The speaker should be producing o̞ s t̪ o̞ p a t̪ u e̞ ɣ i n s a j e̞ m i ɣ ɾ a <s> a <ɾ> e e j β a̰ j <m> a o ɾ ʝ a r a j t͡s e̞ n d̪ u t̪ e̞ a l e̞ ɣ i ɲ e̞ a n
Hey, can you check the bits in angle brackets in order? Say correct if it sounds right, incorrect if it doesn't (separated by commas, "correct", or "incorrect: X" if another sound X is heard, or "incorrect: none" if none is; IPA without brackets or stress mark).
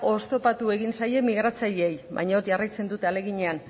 incorrect: t͡s, incorrect: ʎ, incorrect: ɲ